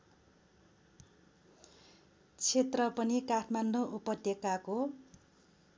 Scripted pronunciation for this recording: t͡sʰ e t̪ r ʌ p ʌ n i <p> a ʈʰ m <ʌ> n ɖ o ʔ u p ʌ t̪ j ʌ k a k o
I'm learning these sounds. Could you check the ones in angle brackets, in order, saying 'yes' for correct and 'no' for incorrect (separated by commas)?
no, no